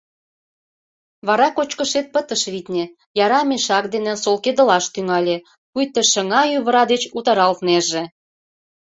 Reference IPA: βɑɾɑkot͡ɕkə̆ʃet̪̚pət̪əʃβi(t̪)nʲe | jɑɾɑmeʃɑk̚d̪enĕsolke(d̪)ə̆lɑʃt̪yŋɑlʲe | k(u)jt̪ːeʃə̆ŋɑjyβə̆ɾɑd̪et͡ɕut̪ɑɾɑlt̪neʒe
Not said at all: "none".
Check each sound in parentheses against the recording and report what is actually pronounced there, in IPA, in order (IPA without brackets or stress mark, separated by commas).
t̪, d̪, u